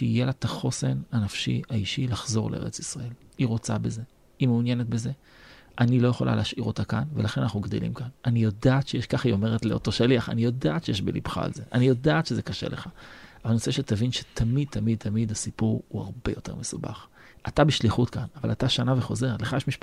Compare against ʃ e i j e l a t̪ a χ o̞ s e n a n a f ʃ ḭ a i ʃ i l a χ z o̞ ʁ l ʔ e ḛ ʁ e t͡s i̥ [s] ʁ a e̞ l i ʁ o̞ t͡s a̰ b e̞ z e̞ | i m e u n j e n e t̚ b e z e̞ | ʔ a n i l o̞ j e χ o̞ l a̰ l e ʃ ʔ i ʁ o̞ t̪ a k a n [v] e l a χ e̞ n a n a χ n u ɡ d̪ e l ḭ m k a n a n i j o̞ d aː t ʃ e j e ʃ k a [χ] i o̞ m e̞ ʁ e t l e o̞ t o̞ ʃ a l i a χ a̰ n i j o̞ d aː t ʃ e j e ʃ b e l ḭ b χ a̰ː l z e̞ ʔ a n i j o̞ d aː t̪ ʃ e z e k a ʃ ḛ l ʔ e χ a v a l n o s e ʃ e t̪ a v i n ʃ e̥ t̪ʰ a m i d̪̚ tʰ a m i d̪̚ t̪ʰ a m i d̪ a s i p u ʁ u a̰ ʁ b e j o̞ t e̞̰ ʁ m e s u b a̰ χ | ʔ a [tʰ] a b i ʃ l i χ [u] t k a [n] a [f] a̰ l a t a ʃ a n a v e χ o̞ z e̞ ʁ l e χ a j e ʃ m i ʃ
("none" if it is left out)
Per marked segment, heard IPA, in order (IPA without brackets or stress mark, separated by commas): s, v, χ, t, u, n, v